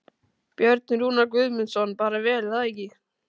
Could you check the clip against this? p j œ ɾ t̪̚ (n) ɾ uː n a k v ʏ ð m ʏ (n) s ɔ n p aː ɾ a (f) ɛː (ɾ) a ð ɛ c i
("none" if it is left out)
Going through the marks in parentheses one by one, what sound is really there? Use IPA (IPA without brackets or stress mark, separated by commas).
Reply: n, n, v, l